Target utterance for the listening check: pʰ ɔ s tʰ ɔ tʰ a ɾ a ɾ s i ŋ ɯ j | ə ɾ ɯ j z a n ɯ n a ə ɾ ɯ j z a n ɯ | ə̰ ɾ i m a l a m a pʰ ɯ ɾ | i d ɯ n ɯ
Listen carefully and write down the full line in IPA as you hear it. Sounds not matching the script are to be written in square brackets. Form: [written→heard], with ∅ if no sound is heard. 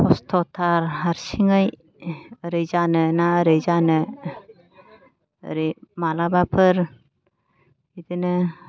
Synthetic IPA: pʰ ɔ s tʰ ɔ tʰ a ɾ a ɾ s i ŋ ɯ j | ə ɾ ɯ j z a n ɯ n a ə ɾ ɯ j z a n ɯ | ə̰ ɾ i m a l a [m→b] a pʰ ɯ ɾ | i d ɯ n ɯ